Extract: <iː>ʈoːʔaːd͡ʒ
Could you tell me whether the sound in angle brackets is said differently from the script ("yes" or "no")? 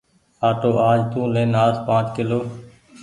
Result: yes